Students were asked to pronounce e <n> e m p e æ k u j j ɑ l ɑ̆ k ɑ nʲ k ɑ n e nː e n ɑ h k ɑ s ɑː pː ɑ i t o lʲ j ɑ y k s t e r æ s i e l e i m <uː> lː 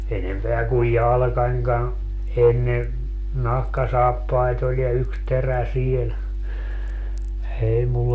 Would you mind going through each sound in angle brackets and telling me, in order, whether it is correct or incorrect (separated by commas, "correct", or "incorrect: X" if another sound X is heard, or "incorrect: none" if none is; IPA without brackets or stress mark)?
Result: correct, incorrect: u